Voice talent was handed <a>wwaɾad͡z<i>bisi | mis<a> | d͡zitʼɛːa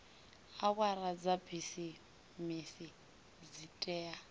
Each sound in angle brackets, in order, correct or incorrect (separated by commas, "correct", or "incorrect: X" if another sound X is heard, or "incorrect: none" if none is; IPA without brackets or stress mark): correct, incorrect: a, incorrect: i